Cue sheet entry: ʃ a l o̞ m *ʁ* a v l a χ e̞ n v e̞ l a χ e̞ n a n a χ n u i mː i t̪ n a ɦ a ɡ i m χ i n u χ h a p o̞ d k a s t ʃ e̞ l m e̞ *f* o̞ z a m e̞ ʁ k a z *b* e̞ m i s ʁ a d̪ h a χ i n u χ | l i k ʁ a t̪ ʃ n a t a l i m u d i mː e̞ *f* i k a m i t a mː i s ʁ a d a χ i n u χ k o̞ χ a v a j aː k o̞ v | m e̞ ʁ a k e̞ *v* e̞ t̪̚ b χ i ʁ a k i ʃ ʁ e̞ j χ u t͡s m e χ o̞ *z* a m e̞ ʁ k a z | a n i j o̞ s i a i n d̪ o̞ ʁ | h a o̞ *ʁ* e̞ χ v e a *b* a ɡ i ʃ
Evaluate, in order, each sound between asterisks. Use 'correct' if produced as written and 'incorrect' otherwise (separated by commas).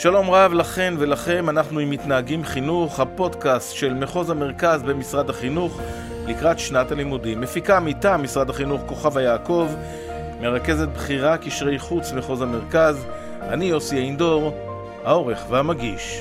correct, incorrect, correct, correct, incorrect, correct, correct, incorrect